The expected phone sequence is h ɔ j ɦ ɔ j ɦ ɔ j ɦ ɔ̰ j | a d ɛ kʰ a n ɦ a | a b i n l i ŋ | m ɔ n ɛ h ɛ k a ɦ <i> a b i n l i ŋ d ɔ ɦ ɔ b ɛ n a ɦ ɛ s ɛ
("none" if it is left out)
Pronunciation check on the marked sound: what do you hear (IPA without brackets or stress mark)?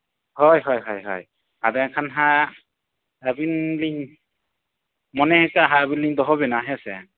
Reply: a